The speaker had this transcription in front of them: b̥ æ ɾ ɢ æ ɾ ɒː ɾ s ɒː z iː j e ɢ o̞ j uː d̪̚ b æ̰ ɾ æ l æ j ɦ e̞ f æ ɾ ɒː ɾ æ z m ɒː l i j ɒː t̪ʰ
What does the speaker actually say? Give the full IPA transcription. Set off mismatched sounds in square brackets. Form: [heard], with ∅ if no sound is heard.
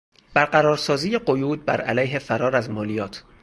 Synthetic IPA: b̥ æ ɾ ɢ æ ɾ ɒː ɾ s ɒː z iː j e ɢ o̞ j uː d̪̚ b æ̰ ɾ æ l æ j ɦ e̞ f æ ɾ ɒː ɾ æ z m ɒː l i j ɒː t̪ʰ